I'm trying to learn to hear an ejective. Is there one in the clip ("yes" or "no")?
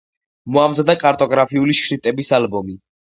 yes